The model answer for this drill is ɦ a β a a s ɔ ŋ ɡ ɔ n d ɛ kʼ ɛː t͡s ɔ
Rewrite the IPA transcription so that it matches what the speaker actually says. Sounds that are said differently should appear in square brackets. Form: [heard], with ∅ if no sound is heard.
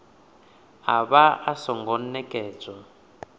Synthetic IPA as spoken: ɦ a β a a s ɔ ŋ ɡ ɔ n [n] ɛ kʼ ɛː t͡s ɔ